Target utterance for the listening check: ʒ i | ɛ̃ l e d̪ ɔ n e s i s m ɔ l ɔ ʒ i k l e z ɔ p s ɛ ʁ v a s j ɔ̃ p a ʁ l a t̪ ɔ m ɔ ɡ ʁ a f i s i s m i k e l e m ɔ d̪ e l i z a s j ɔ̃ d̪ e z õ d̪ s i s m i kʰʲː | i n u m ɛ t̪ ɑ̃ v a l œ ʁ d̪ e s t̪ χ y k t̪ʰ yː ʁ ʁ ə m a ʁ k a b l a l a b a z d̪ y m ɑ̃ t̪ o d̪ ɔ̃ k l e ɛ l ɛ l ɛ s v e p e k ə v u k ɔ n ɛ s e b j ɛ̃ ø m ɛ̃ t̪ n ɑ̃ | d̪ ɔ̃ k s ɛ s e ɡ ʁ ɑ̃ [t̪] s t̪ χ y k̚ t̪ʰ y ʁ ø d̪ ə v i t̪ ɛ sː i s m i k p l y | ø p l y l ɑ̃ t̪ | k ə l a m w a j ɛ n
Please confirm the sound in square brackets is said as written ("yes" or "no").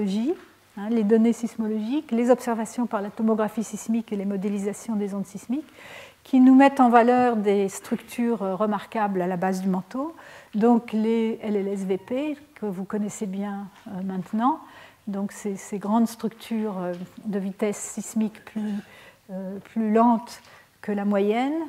no